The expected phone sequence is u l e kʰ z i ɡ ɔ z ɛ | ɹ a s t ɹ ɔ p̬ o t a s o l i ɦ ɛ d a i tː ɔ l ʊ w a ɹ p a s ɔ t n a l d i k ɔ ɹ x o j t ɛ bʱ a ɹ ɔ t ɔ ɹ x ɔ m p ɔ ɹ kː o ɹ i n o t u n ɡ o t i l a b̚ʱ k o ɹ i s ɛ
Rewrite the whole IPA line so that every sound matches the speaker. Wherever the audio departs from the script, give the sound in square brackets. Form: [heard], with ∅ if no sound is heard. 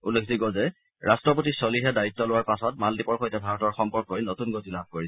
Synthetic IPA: u l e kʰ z i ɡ ɔ z ɛ | ɹ a s t ɹ ɔ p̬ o t [i] s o l i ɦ ɛ d a i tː ɔ l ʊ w a ɹ p a s ɔ t [m] a l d i [p] ɔ ɹ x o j t ɛ bʱ a ɹ ɔ t ɔ ɹ x ɔ m p ɔ ɹ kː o ɹ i n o t u n ɡ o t i l a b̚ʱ k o ɹ i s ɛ